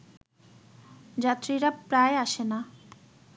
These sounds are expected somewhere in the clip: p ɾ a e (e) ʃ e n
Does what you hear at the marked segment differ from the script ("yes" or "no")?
yes